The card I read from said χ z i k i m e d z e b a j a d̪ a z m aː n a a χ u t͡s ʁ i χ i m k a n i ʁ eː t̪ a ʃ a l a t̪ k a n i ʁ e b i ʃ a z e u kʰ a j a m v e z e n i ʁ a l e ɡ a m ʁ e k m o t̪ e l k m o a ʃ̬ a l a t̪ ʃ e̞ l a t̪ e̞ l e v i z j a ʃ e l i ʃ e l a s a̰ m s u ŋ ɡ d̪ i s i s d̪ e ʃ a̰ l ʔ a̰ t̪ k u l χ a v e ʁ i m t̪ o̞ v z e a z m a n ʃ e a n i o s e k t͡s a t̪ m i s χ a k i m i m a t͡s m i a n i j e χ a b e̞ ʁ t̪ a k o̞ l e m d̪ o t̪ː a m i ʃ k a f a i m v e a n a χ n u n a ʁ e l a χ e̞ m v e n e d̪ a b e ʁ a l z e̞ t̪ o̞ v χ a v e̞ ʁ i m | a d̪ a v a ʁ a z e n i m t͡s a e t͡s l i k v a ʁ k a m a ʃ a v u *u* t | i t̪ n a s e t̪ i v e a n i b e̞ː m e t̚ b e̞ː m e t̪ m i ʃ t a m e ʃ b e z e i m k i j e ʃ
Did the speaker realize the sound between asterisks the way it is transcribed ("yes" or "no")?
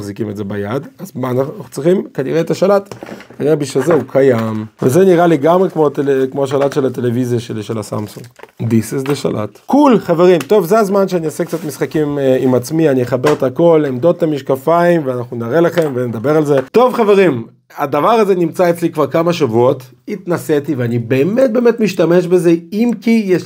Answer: no